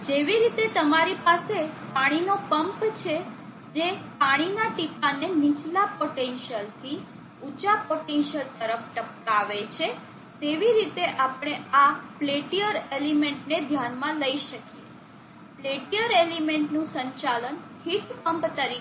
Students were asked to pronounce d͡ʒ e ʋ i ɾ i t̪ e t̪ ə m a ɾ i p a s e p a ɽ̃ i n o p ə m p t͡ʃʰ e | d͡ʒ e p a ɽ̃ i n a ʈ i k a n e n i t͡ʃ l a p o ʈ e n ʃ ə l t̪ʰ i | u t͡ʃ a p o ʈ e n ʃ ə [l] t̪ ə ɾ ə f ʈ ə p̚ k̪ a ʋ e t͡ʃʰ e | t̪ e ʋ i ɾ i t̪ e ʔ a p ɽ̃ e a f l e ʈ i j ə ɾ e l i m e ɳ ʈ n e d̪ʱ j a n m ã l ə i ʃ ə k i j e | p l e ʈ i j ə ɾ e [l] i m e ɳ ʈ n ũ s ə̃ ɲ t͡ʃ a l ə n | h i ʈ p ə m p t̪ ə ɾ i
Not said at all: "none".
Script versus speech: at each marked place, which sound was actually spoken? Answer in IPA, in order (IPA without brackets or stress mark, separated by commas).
l, l